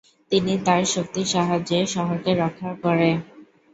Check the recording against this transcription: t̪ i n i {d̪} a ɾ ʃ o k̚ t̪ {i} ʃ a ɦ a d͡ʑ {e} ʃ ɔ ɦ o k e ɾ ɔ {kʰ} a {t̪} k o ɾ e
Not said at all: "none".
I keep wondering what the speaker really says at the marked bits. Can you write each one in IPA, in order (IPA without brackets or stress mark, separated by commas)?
t̪, i, e, kʰ, none